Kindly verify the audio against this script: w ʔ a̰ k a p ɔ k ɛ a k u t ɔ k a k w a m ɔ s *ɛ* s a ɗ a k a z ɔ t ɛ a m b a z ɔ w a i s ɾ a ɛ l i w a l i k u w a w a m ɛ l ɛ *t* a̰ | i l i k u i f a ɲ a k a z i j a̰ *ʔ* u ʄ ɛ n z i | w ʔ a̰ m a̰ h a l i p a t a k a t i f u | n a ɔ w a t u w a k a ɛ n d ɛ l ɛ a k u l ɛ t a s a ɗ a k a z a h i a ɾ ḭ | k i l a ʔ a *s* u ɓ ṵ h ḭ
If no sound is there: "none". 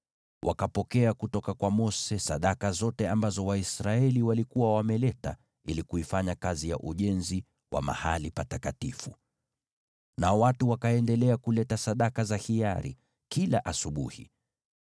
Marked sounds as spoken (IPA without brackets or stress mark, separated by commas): ɛ, t, ʔ, s